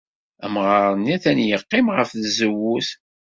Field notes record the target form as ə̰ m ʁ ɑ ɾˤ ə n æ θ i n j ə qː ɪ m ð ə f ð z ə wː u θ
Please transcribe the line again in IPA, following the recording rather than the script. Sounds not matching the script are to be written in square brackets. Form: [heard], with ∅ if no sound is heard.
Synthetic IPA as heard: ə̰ m ʁ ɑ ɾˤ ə n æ θ [æ] n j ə qː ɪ m [ʁ] ə f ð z ə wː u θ

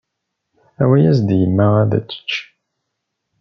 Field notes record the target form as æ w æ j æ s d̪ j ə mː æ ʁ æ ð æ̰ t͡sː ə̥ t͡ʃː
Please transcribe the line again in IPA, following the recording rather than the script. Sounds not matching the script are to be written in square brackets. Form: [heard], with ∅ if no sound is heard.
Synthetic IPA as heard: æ w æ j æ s d̪ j ə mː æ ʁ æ ð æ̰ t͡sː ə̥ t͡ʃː

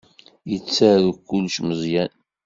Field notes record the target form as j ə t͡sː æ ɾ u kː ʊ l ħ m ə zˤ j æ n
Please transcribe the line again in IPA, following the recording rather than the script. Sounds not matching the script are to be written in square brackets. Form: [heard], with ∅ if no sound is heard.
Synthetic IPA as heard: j ə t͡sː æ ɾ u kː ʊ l [ʃ] m ə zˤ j æ n

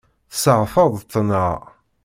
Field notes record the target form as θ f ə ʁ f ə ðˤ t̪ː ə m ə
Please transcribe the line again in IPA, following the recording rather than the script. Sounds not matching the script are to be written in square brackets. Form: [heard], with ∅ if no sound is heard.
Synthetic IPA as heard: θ [s] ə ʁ f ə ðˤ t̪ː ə [n] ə

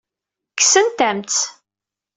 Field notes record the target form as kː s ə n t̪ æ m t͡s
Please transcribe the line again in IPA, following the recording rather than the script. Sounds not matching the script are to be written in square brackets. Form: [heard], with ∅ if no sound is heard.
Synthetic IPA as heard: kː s ə n t̪ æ m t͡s

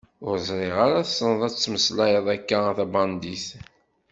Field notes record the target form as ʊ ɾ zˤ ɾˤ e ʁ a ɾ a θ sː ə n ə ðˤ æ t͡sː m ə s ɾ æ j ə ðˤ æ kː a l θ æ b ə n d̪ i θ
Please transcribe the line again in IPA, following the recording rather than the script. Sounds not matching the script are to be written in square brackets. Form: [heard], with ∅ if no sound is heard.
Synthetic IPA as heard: ʊ ɾ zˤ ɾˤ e ʁ a ɾ a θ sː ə n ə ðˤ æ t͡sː m ə s [l] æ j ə ðˤ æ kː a [∅] θ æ b [ɑ] n d̪ i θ

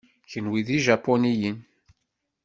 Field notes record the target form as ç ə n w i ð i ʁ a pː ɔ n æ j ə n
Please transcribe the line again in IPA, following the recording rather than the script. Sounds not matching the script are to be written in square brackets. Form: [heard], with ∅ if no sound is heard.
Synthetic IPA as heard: ç ə n w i ð i [ʒ] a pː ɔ n [i] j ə n

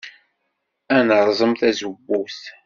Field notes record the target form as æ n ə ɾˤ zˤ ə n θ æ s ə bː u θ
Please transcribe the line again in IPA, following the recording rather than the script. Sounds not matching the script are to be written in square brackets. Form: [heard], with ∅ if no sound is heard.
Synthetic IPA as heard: æ n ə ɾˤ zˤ ə [m] θ æ [z] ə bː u θ

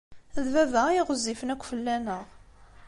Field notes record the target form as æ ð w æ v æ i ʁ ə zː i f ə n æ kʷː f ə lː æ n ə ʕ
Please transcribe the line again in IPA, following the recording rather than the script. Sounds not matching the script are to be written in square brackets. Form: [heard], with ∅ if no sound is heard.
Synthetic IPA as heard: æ ð [v] æ v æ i ʁ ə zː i f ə n æ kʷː f ə lː æ n ə [ʁ]

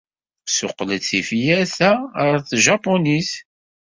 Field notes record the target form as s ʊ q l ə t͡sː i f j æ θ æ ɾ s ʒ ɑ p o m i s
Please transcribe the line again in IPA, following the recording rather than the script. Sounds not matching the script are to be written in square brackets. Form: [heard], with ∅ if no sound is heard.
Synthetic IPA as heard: s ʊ q l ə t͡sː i f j æ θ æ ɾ [θ] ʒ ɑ p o [n] i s

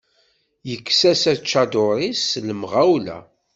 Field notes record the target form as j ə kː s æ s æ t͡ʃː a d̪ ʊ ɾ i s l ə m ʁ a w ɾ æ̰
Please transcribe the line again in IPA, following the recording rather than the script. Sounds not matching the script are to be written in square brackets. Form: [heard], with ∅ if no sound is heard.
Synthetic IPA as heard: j ə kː s æ s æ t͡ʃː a d̪ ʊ ɾ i s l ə m ʁ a w [l] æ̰

